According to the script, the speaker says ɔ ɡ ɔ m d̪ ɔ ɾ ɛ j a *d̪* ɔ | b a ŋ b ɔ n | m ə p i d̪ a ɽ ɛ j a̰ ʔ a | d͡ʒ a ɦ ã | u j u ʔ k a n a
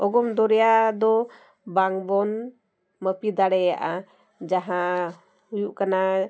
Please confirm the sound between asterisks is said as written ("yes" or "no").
yes